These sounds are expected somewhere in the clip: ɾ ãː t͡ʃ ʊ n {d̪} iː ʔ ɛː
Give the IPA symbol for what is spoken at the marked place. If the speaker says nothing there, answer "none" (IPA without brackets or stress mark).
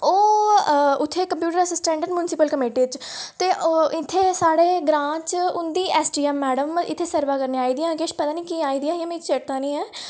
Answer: d̪